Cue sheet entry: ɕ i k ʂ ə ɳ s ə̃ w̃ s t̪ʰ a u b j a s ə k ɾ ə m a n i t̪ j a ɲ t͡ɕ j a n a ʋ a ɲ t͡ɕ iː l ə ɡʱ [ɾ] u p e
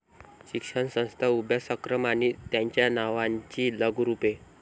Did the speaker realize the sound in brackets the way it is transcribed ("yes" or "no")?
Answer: yes